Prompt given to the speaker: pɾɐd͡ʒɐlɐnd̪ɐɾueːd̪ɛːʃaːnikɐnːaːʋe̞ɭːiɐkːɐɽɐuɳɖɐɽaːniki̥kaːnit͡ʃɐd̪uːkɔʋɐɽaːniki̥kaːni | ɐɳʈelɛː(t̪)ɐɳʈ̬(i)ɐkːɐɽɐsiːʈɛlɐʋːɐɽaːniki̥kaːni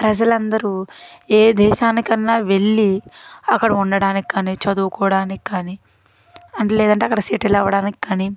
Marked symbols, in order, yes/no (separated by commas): no, no